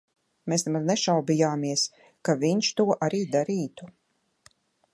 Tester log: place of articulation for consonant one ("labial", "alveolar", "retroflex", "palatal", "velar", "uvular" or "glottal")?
labial